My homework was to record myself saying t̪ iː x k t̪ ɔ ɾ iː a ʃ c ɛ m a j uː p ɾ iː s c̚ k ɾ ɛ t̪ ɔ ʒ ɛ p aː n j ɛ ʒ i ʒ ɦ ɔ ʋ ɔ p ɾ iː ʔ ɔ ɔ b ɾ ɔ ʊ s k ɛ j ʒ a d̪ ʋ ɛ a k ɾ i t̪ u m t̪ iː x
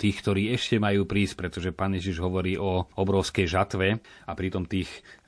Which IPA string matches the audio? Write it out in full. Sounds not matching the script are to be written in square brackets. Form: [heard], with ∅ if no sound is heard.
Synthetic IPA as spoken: t̪ iː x k t̪ ɔ ɾ iː [ɛ] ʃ c ɛ m a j uː p ɾ iː s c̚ [p] ɾ ɛ t̪ ɔ ʒ ɛ p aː n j ɛ ʒ i ʒ ɦ ɔ ʋ ɔ [∅] ɾ iː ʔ ɔ ɔ b ɾ ɔ ʊ s k ɛ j ʒ a [t̪] ʋ ɛ a [p] ɾ i t̪ [ɔ] m t̪ iː x